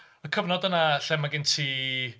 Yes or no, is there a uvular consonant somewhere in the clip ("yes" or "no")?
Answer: no